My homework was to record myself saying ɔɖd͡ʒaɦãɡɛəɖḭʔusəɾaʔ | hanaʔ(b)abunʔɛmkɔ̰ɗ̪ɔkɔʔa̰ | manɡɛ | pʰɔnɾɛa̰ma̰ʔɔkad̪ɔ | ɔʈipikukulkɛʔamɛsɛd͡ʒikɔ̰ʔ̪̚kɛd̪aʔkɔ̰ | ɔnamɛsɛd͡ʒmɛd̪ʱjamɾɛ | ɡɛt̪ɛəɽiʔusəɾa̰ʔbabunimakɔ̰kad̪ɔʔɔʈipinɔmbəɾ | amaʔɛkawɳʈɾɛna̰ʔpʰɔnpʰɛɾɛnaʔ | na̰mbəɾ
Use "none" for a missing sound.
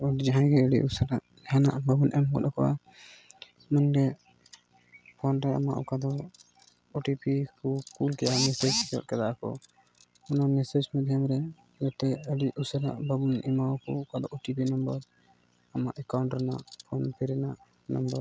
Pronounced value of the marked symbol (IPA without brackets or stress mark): b